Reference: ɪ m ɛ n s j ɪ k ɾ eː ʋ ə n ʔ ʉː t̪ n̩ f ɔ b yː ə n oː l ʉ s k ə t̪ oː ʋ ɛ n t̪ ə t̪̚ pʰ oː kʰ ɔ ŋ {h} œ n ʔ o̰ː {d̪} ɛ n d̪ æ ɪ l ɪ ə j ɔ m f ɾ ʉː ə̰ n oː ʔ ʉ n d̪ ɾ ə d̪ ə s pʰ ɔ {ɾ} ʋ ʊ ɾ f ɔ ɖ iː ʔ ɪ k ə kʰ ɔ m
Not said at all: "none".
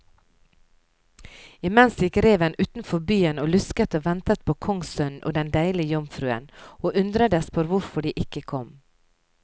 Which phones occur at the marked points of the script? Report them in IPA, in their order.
s, d̪, ɾ

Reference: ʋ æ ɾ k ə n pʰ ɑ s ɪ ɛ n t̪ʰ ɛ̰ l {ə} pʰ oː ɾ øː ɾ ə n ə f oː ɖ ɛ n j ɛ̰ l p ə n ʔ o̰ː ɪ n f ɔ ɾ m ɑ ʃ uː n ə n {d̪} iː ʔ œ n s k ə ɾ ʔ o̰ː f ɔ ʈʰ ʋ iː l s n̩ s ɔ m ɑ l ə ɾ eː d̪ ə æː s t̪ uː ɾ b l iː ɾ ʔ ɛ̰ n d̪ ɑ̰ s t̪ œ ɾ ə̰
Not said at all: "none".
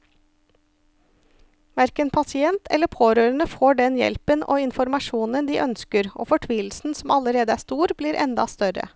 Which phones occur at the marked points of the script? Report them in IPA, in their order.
ə, d̪

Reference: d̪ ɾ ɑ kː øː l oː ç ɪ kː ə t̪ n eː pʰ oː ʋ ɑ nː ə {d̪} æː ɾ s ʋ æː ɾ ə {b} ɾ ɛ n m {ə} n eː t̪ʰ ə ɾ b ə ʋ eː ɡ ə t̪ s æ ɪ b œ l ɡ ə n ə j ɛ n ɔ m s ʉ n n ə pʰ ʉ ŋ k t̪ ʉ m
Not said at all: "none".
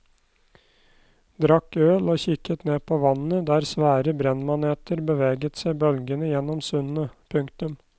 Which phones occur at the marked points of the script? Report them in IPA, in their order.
d̪, b, ɑ

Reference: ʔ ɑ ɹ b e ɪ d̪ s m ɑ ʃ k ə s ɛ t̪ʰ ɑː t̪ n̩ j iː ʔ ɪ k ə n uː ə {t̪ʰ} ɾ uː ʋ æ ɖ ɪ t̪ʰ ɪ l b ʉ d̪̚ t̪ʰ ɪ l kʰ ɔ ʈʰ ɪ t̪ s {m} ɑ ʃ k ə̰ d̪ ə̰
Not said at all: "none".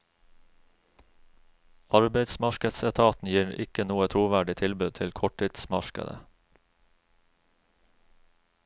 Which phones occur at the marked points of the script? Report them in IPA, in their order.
t̪ʰ, m

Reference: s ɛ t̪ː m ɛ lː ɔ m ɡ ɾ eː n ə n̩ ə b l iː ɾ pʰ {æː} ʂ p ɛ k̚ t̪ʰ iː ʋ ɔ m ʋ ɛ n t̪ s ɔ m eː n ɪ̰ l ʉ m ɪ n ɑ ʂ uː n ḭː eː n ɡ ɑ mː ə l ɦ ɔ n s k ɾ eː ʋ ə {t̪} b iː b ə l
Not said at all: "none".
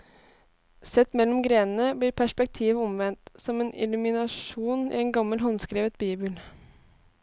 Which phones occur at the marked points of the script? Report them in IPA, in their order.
æ, t̪

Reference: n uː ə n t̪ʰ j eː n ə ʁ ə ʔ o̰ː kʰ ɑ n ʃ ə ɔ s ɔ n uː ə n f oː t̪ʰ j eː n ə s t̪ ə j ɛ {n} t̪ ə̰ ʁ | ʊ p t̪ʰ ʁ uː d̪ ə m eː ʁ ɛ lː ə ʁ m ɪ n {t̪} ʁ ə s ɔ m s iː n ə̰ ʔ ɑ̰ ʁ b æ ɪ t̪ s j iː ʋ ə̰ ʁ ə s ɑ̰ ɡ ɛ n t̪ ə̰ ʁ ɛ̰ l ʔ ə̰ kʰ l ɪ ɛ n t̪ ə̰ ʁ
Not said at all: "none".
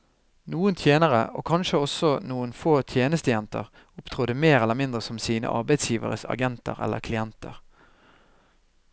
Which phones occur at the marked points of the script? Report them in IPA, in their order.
n, d̪

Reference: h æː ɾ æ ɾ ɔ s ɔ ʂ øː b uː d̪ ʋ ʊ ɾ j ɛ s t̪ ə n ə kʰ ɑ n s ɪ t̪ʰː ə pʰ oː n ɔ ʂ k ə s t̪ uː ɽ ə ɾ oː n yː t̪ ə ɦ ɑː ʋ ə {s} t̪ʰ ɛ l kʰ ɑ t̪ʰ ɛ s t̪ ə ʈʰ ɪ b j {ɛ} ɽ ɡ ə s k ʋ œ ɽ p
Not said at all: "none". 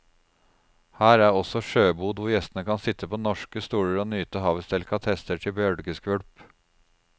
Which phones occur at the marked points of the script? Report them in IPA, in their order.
s, œ

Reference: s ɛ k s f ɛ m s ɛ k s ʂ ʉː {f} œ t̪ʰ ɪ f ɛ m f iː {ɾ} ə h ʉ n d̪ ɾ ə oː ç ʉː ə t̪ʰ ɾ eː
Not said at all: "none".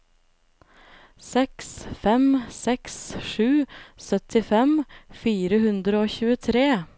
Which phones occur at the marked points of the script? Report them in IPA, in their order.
s, ɾ

